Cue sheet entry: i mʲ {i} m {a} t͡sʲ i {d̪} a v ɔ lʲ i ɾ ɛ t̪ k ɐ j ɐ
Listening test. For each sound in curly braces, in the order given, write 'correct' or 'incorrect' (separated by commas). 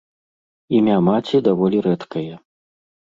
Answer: incorrect, correct, correct